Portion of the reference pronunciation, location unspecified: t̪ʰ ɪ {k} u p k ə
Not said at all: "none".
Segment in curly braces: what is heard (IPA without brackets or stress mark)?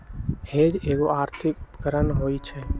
k